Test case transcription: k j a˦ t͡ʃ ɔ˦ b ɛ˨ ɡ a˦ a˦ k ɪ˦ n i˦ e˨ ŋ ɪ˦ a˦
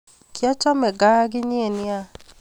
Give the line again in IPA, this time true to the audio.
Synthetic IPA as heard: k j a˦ t͡ʃ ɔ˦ m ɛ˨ ɡ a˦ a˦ ɡ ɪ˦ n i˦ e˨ n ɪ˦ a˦